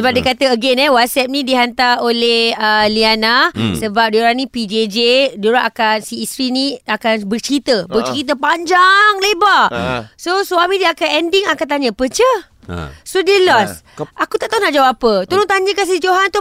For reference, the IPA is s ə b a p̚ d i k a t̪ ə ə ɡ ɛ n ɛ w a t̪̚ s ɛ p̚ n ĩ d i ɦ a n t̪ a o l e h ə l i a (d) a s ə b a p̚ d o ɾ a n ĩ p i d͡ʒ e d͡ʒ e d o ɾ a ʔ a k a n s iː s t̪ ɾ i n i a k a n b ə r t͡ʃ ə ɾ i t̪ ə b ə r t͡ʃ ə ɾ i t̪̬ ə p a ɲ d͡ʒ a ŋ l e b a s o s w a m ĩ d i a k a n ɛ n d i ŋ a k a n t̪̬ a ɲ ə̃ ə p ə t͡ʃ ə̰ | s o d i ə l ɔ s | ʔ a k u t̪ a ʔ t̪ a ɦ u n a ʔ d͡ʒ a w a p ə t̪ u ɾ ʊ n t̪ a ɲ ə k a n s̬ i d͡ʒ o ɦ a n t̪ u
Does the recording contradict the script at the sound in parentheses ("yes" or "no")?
yes